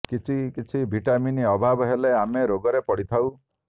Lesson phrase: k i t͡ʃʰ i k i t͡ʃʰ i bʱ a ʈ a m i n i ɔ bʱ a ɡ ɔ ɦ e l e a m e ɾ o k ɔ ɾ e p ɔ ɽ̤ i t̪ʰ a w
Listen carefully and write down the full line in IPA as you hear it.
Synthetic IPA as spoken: k i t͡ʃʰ i k i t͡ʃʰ i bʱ i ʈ a m i n i ɔ bʱ a b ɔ ɦ e l e a m e ɾ o ɡ ɔ ɾ e p ɔ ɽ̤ i t̪ʰ a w